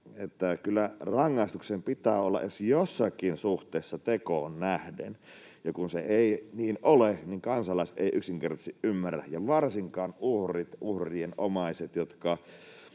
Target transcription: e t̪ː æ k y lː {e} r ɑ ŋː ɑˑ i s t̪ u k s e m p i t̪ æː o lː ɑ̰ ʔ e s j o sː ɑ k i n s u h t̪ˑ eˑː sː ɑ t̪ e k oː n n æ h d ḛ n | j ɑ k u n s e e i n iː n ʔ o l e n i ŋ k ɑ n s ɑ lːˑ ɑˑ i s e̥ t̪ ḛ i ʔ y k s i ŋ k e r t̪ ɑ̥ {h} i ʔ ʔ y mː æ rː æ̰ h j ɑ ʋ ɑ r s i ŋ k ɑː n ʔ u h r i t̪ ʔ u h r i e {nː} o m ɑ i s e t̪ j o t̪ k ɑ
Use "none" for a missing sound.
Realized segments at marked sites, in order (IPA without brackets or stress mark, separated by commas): æ, s, n